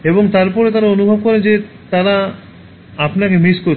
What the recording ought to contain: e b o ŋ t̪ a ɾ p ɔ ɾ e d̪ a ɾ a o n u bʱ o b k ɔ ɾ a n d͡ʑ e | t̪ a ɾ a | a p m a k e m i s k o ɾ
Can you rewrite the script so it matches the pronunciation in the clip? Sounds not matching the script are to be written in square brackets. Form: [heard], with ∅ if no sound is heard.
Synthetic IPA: e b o ŋ t̪ a ɾ p ɔ ɾ e [t̪] a ɾ a o n u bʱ o b k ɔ ɾ [e] n d͡ʑ e | t̪ a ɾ a | a p [n] a k e m i s k o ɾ